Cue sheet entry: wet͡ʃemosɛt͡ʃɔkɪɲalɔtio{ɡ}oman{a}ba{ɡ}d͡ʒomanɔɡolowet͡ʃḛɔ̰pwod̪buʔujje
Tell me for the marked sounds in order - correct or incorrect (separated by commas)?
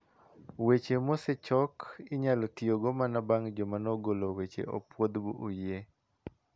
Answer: correct, correct, incorrect